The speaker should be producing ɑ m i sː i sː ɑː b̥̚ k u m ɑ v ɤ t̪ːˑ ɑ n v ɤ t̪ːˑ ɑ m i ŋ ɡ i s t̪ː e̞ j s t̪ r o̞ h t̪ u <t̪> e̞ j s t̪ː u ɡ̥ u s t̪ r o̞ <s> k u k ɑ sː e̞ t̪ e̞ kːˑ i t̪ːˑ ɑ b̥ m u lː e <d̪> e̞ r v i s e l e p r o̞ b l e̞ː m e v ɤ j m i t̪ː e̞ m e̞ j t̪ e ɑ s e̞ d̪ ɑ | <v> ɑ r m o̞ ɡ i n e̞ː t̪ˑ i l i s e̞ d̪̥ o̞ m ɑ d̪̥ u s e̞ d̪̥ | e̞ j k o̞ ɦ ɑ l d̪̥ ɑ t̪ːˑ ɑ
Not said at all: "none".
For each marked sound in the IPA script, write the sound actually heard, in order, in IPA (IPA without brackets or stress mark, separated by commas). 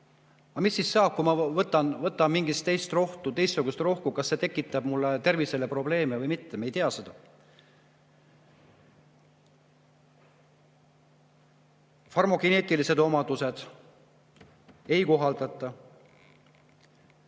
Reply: t̪, h, t̪, f